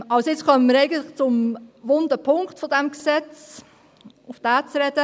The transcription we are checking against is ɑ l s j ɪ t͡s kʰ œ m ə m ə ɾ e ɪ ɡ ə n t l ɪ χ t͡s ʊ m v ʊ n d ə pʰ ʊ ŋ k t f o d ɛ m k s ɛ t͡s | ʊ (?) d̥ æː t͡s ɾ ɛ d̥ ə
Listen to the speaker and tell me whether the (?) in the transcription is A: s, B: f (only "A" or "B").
B